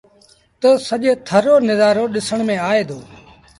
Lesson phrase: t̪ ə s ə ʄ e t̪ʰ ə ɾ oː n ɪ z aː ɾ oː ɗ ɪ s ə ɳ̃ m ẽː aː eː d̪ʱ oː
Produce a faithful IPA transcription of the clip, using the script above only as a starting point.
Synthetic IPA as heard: t̪ ə s ə ʄ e t̪ʰ ə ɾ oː n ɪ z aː ɾ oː ɗ ɪ s ə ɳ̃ m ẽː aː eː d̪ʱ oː